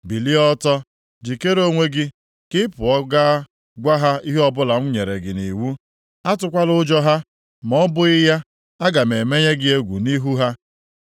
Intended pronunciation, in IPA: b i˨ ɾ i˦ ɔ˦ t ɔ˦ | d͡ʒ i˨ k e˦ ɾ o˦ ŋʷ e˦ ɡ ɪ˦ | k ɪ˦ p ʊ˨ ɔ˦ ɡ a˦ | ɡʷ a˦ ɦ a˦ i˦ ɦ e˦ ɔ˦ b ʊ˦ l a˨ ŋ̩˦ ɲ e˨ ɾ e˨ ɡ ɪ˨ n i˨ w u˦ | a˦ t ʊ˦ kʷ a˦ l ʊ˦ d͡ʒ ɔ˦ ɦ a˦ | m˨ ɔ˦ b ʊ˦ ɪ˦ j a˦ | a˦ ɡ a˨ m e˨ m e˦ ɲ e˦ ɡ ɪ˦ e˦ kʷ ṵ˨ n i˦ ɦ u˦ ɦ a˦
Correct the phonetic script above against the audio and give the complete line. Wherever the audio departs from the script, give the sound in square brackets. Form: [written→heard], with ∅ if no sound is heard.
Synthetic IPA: b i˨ [ɾ→l] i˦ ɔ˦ t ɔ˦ | d͡ʒ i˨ k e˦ ɾ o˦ ŋʷ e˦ ɡ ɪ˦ | k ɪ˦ p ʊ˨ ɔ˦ ɡ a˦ | ɡʷ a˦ ɦ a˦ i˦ ɦ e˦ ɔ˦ b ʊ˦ l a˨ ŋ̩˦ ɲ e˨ ɾ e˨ ɡ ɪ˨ n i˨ w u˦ | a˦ t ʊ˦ kʷ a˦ l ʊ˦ d͡ʒ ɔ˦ ɦ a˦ | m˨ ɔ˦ b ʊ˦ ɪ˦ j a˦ | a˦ ɡ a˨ m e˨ m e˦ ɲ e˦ ɡ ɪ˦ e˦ [kʷ→ɡʷ] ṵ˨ n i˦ ɦ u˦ ɦ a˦